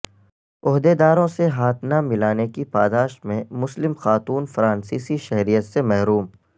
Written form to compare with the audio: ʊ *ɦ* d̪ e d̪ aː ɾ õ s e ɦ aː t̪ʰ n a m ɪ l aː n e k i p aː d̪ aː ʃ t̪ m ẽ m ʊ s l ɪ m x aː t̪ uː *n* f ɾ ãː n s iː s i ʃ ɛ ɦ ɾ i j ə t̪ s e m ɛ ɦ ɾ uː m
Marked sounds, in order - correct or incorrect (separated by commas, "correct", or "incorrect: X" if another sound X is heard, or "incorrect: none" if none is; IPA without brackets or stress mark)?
correct, correct